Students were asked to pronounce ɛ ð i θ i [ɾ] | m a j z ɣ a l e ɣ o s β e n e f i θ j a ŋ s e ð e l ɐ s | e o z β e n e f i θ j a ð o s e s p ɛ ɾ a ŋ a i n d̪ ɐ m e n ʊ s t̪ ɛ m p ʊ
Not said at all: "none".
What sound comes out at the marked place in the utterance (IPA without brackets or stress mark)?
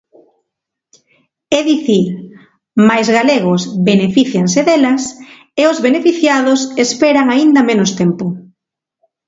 ɾ